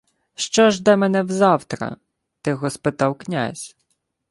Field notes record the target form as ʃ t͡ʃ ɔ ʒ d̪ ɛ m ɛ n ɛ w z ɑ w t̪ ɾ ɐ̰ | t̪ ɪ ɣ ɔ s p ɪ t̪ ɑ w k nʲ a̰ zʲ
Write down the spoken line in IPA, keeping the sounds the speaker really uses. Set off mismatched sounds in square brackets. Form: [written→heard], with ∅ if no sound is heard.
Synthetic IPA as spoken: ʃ t͡ʃ ɔ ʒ d̪ ɛ m ɛ n ɛ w z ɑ w t̪ ɾ ɐ̰ | t̪ ɪ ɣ ɔ s p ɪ t̪ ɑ w k nʲ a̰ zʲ